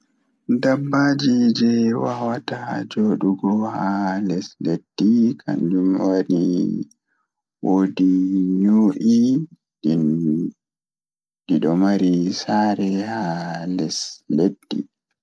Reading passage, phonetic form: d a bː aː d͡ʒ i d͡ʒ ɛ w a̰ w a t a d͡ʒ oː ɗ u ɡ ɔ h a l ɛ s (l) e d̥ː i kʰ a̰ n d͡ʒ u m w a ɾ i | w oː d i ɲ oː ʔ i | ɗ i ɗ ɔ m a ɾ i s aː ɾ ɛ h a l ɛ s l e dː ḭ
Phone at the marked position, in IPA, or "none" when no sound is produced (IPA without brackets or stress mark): l